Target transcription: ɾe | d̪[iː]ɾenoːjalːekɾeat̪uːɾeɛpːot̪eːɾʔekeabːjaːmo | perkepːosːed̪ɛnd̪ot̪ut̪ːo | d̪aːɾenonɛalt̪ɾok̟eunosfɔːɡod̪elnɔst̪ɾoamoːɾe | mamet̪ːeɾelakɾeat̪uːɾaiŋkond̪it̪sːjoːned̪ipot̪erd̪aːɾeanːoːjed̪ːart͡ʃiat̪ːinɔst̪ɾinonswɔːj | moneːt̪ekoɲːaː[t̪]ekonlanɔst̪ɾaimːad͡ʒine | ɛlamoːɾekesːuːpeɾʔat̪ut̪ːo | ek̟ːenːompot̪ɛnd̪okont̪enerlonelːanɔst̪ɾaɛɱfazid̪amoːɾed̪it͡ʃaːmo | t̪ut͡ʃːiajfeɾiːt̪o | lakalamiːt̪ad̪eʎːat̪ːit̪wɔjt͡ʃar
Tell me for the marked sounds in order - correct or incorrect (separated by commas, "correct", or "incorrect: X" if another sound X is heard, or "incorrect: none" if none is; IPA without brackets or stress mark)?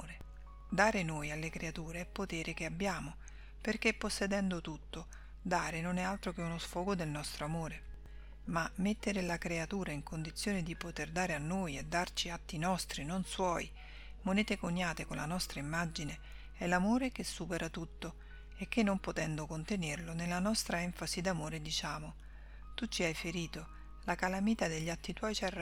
incorrect: aː, correct